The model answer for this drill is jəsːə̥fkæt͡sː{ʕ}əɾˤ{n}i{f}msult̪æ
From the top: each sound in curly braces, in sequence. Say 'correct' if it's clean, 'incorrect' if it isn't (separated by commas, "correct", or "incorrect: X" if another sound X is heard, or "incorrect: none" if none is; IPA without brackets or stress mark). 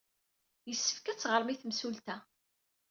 incorrect: ʁ, incorrect: m, incorrect: θ